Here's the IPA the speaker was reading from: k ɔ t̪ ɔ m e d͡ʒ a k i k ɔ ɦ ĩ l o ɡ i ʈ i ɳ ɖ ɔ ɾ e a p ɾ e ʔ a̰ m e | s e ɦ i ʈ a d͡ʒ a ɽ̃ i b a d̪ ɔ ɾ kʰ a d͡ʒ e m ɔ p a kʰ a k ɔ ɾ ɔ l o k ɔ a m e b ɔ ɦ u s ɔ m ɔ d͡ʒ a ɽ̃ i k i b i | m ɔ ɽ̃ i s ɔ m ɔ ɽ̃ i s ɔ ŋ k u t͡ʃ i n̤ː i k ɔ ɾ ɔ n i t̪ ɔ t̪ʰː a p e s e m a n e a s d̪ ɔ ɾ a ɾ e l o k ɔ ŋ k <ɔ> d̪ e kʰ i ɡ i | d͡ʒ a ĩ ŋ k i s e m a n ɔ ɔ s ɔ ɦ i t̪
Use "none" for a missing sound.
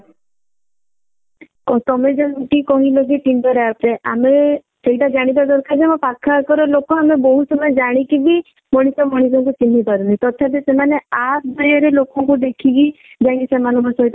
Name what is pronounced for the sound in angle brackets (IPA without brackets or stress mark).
u